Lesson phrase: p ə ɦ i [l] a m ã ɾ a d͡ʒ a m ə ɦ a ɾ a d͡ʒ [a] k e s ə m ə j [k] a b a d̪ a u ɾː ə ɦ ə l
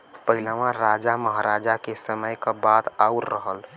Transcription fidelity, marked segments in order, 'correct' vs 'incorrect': correct, correct, correct

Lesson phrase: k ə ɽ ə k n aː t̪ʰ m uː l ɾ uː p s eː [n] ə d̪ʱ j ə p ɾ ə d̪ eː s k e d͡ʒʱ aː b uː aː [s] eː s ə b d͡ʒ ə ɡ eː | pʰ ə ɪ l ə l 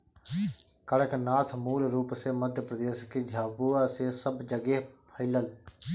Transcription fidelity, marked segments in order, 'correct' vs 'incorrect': incorrect: m, correct

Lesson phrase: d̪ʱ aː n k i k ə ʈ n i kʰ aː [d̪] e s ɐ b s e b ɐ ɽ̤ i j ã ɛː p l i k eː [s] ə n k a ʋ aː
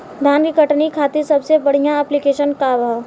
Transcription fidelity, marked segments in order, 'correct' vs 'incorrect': incorrect: t̪, incorrect: ʃ

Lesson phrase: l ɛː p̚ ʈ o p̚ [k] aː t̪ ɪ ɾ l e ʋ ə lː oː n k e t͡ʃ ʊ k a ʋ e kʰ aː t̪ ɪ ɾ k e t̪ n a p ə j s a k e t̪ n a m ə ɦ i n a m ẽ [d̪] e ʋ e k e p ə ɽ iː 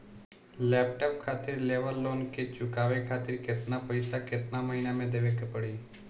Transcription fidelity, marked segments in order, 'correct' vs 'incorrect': incorrect: kʰ, correct

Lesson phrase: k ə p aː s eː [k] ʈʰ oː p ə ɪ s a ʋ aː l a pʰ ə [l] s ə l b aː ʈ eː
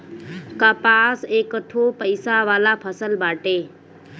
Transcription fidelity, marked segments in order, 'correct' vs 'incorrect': correct, incorrect: none

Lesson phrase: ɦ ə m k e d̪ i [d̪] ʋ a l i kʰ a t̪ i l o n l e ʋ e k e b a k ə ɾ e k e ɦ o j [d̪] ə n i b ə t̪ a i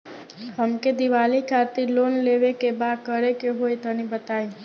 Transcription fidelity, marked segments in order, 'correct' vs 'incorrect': incorrect: none, incorrect: t̪

